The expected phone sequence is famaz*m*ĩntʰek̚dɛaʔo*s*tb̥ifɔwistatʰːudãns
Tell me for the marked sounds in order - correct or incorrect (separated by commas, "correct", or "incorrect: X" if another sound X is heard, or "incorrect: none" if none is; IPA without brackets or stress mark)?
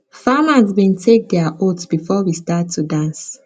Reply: incorrect: b, incorrect: none